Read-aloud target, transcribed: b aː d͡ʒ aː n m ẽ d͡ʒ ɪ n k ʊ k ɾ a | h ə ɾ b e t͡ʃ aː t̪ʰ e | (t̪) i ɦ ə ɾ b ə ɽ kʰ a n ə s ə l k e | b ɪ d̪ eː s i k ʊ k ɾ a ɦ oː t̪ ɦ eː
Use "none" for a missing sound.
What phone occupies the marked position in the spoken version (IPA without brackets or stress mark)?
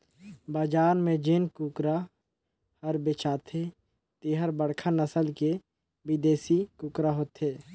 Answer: t̪